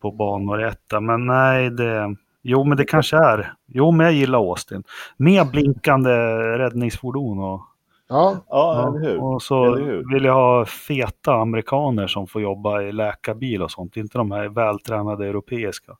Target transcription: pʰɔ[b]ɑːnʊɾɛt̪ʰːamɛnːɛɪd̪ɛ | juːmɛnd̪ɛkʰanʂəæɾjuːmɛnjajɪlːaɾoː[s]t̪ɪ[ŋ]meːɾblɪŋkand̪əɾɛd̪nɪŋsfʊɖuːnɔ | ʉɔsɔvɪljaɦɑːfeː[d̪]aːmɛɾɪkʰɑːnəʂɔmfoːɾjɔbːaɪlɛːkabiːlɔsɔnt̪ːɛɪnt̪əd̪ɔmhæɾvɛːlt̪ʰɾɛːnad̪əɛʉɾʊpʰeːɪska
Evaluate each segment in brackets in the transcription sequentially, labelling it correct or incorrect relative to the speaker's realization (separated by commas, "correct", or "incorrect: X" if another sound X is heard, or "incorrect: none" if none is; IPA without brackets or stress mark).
correct, correct, incorrect: n, incorrect: t̪